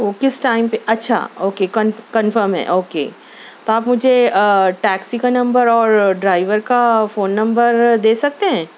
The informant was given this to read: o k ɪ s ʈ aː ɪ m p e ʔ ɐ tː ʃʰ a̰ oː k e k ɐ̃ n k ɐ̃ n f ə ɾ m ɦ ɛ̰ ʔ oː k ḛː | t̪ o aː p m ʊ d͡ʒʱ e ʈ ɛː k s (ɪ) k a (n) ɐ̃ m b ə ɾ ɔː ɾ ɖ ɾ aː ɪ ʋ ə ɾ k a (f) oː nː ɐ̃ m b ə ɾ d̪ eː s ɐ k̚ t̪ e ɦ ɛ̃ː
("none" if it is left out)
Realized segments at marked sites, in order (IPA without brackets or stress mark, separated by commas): i, n, f